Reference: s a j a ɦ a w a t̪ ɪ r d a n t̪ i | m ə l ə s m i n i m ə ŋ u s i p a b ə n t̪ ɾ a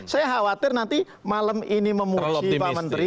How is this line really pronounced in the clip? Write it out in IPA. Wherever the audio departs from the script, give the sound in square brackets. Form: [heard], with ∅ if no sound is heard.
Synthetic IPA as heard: s a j a ɦ a w a t̪ ɪ r [n] a n t̪ i | m [a] l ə [∅] m i n i m ə [m] u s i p a [m] ə n t̪ ɾ [i]

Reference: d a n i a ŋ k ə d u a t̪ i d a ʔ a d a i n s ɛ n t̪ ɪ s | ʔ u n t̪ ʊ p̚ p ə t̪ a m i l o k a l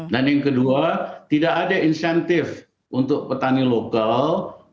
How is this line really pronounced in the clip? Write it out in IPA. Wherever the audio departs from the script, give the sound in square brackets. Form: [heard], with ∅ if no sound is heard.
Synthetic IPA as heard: d a n [j] a ŋ k ə d u a t̪ i d a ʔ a d a i n s ɛ n t̪ ɪ [f] | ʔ u n t̪ ʊ [k̚] p ə t̪ a [n] i l o k a l

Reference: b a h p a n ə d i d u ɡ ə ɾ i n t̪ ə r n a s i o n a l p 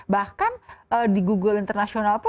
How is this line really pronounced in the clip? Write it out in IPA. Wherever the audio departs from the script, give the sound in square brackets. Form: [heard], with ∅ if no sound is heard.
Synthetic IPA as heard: b a h [k] a n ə d i [ɡ] u ɡ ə [l] i n t̪ ə r n a s i o n a l p

